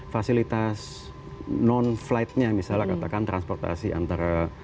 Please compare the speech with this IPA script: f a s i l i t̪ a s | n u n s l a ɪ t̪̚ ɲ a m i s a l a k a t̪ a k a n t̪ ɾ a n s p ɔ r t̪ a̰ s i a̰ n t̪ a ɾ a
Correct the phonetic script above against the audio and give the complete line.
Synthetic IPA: f a s i l i t̪ a s | n ɔ n f l a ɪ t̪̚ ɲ a m i s a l a k a t̪ a k a n t̪ ɾ a n s p ɔ r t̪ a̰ s i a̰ n t̪ a ɾ a